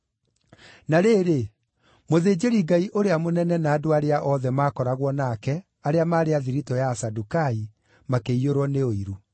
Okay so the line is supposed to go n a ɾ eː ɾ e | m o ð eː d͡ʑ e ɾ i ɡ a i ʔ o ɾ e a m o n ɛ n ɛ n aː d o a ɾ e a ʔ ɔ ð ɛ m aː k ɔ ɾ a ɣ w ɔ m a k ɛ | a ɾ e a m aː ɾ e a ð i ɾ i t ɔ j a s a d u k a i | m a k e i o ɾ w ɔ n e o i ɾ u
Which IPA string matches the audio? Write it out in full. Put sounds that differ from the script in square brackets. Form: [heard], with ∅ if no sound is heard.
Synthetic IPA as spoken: n a ɾ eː ɾ e | m o ð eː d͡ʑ e ɾ i ɡ a i ʔ o ɾ e a m o n ɛ n ɛ n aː d o a ɾ e a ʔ ɔ ð ɛ m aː k ɔ ɾ a ɣ w ɔ [n] a k ɛ | a ɾ e a m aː ɾ e a ð i ɾ i t ɔ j a s a d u k a i | m a k e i o ɾ w ɔ n e o i ɾ u